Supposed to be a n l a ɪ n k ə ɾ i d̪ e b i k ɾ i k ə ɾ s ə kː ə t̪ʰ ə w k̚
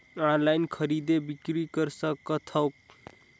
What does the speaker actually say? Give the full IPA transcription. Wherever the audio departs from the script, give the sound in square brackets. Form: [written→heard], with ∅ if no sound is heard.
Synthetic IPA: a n l a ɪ n [k→kʰ] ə ɾ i d̪ e b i k ɾ i k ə ɾ s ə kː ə t̪ʰ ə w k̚